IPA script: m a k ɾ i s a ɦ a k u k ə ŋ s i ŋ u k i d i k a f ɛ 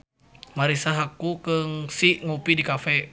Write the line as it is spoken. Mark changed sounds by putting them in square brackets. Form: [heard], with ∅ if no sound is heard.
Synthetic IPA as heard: m a [∅] ɾ i s a ɦ a k u k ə ŋ s i ŋ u [p] i d i k a f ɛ